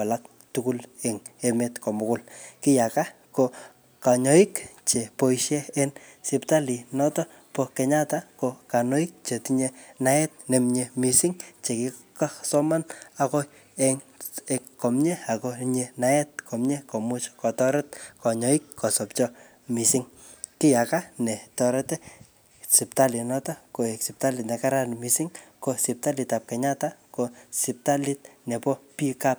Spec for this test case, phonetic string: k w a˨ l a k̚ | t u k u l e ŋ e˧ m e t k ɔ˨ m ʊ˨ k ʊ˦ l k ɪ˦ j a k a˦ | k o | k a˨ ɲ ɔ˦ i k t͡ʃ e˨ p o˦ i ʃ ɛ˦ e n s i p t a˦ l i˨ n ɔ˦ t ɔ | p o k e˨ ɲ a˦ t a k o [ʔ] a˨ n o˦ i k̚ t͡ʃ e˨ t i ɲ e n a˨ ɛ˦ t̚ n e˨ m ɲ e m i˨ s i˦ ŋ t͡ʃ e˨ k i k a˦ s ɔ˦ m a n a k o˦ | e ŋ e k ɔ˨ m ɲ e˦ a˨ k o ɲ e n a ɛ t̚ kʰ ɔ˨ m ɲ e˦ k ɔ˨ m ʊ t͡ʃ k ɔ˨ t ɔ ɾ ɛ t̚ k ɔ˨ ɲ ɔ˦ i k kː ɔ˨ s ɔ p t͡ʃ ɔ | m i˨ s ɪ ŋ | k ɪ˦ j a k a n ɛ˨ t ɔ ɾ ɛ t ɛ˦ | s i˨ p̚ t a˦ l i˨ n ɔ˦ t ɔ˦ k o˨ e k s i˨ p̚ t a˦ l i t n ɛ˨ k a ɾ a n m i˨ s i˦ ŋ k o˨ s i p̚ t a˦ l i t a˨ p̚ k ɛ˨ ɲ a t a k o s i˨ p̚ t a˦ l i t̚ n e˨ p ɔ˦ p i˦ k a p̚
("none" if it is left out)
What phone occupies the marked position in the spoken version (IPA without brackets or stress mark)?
k